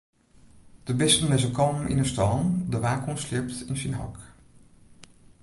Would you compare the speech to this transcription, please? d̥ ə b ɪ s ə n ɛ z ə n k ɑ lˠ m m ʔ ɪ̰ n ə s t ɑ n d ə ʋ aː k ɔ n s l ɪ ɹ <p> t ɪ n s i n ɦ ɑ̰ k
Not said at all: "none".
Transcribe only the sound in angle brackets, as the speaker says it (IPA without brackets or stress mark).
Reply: p